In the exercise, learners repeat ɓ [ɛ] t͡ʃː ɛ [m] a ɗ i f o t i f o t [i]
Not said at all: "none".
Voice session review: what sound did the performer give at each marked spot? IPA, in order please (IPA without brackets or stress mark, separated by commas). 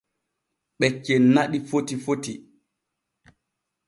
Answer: ɛ, n, i